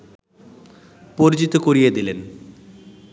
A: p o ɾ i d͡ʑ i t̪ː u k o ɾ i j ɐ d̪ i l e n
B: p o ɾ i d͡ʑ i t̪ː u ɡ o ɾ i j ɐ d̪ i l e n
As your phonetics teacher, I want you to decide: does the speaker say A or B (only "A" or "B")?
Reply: A